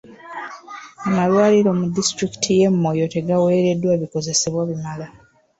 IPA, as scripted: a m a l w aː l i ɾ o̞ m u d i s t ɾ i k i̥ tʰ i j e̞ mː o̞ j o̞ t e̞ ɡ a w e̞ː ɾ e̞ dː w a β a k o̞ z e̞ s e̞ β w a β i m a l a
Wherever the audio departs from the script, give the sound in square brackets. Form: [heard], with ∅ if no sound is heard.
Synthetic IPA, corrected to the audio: a m a l w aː l i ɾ o̞ m u d i s t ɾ i k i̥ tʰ i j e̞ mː o̞ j o̞ t e̞ ɡ a w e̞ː ɾ e̞ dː w a β [i] k o̞ z e̞ s e̞ β w a β i m a l a